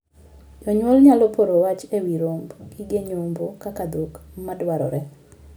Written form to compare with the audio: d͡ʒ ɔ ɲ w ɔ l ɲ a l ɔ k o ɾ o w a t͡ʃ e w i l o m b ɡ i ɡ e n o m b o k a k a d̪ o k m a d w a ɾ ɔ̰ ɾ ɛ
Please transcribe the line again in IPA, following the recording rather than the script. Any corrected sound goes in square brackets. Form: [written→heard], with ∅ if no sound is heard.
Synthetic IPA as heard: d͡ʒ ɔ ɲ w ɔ l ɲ a l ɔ [k→p] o ɾ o w a t͡ʃ e w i [l→ɾ] o m b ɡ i ɡ e [n→ɲ] o m b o k a k a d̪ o k m a d w a ɾ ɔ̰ ɾ ɛ